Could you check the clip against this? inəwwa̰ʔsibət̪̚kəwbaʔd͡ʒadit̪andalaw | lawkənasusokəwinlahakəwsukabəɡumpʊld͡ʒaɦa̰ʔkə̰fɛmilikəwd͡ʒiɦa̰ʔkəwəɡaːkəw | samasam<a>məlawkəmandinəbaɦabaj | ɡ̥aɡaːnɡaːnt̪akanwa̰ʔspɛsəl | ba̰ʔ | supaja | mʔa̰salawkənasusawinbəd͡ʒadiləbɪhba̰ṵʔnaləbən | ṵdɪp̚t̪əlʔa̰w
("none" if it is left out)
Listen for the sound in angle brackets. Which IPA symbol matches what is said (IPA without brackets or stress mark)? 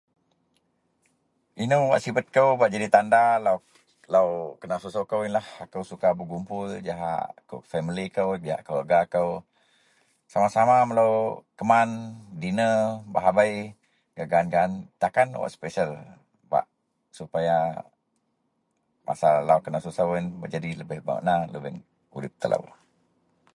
a